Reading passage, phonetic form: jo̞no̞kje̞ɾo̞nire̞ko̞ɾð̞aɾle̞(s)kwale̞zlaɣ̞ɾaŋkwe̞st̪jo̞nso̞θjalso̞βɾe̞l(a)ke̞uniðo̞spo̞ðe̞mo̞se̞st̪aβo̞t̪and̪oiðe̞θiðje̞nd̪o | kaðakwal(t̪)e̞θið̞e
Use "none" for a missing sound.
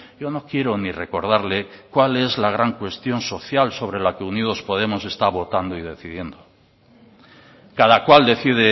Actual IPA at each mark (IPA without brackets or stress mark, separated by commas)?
none, a, d̪